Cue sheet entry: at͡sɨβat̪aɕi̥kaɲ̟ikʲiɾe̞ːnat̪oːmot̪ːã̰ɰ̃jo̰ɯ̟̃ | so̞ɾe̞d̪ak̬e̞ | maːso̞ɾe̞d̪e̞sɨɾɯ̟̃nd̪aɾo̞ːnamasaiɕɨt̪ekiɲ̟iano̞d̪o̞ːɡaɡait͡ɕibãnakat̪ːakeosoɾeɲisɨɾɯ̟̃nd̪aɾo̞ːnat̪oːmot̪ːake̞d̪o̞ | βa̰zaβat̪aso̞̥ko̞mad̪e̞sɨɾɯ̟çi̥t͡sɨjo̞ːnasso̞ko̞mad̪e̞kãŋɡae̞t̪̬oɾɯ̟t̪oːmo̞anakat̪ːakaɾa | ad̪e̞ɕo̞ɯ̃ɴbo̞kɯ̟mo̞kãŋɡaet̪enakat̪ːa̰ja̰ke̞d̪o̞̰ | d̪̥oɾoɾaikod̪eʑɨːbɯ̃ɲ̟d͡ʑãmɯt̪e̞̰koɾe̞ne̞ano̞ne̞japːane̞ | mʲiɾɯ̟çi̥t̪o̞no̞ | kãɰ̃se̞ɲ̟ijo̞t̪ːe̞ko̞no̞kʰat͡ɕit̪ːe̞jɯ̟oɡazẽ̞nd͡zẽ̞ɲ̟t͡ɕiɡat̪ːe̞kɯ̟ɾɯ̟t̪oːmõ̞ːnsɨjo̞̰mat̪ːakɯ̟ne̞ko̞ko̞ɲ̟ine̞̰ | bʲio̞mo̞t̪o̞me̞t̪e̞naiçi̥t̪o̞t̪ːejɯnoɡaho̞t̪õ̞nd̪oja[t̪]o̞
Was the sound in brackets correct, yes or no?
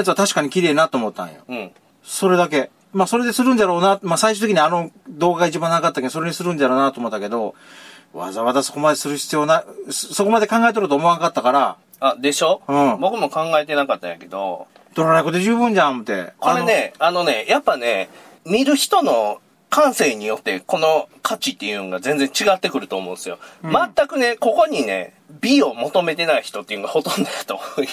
yes